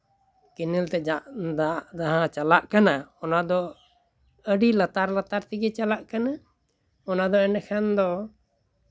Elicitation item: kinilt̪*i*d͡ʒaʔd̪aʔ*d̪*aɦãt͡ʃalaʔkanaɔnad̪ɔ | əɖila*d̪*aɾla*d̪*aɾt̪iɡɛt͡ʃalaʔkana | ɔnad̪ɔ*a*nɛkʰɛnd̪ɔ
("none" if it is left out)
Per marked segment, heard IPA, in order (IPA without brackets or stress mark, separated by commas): ɛ, d̪, t̪, t̪, ɛ